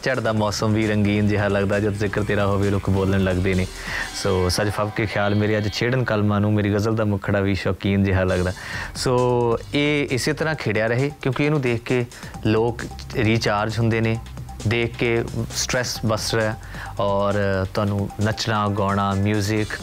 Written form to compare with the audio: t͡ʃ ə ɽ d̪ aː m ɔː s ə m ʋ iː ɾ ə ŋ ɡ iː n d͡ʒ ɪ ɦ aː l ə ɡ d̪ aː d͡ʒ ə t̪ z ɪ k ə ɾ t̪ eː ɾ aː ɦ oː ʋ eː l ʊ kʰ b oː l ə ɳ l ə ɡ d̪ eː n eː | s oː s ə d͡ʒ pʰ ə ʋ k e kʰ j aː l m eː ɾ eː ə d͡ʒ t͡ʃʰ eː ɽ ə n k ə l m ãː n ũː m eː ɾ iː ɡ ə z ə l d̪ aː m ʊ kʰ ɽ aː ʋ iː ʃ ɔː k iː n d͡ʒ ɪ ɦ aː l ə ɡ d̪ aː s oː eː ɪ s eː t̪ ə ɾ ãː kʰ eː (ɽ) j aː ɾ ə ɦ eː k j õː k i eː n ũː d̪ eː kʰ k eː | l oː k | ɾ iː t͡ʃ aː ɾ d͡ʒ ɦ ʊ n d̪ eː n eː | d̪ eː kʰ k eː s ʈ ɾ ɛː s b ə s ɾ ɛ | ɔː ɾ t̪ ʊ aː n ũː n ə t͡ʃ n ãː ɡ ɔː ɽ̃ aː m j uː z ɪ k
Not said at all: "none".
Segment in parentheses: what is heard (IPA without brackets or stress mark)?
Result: ɽ